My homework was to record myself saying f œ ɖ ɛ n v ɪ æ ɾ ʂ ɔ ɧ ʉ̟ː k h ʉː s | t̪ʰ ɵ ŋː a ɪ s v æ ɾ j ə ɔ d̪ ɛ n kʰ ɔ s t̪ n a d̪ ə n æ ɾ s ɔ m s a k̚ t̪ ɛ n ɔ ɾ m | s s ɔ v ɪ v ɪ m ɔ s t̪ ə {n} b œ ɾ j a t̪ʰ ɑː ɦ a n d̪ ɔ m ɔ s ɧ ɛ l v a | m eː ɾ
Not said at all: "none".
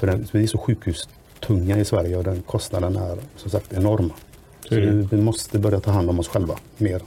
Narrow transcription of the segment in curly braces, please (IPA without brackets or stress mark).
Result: none